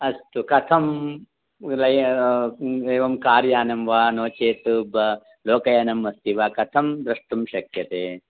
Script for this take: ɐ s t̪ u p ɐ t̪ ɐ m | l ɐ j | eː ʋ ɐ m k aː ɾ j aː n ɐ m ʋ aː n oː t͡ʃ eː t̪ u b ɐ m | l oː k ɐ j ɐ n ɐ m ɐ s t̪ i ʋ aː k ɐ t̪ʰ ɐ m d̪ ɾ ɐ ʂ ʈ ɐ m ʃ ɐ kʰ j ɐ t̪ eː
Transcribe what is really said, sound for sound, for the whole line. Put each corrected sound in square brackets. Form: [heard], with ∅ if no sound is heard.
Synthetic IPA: ɐ s t̪ u [k] ɐ [t̪ʰ] ɐ m | l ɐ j | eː ʋ ɐ m k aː ɾ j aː n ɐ m ʋ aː n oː t͡ʃ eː t̪ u b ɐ [∅] | l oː k ɐ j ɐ n ɐ m ɐ s t̪ i ʋ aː k ɐ t̪ʰ ɐ m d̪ ɾ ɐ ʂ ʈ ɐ m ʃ ɐ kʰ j ɐ t̪ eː